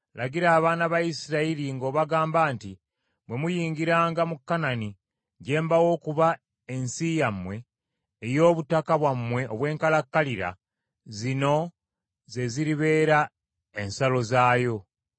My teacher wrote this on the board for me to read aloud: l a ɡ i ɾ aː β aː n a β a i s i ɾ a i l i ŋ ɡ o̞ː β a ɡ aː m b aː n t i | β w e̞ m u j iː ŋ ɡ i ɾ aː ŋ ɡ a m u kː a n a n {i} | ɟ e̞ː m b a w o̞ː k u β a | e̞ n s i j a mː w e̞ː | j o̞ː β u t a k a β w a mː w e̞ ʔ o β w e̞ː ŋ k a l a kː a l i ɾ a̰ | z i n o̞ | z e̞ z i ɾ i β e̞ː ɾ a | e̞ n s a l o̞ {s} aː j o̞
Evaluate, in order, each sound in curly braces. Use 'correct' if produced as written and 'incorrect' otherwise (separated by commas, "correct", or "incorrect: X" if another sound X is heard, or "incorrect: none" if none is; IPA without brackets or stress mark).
correct, incorrect: z